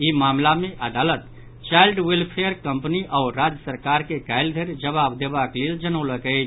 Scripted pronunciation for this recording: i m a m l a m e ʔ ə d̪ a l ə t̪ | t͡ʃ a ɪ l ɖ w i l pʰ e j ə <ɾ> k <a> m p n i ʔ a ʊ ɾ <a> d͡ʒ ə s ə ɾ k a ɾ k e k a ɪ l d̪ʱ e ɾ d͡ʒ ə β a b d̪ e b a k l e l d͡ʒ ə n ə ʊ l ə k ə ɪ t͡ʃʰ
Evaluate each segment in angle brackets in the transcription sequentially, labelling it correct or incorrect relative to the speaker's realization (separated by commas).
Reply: correct, incorrect, correct